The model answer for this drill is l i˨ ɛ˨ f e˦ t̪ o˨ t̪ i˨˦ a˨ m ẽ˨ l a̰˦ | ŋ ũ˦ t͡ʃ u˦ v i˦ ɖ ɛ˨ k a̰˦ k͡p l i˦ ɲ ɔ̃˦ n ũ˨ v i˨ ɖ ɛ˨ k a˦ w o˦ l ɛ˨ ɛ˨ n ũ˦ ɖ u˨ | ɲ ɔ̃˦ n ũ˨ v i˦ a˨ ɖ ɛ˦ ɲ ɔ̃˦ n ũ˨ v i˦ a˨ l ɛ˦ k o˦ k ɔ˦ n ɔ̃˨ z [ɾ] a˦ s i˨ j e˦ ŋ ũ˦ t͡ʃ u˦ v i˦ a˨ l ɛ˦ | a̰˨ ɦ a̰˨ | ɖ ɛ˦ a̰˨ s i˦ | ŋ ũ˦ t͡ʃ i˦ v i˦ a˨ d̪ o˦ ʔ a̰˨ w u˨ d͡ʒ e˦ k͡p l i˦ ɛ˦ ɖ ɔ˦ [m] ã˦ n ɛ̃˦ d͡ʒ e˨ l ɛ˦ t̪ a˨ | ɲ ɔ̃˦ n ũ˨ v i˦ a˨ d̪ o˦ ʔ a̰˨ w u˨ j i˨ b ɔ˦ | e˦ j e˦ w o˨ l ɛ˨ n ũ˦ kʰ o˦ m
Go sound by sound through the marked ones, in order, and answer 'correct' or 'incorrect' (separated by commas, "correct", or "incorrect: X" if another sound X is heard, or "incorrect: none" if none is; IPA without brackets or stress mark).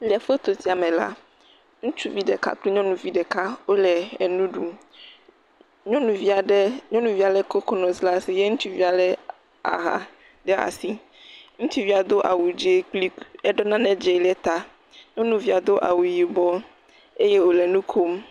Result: incorrect: l, incorrect: n